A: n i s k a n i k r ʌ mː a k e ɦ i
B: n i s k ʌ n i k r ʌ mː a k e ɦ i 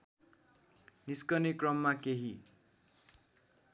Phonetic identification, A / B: B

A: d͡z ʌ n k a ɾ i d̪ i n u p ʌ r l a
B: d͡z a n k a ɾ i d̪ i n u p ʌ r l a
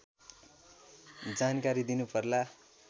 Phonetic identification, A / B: B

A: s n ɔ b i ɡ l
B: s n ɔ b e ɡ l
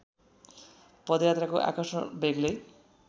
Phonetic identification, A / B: B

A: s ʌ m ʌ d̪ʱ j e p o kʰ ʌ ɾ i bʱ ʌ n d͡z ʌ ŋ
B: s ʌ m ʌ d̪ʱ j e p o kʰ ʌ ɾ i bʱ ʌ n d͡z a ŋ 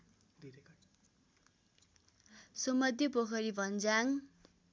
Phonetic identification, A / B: B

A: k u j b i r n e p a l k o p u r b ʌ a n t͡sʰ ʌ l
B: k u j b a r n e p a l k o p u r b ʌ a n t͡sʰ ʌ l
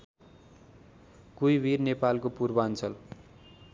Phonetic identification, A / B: A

